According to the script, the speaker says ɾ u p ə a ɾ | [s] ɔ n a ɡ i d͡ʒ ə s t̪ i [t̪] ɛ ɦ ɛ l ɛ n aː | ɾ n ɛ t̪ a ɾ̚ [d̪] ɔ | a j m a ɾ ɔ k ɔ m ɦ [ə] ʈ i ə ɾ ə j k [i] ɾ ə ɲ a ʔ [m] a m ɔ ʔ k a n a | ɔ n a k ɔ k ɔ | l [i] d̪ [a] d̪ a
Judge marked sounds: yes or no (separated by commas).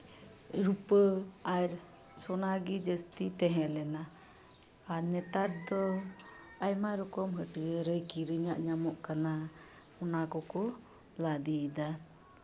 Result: yes, yes, yes, yes, yes, no, no, no